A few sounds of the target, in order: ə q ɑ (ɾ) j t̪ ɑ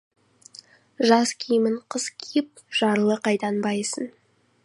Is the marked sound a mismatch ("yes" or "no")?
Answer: yes